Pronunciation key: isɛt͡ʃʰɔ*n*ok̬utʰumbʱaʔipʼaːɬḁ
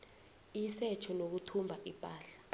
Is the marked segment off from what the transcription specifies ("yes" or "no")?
no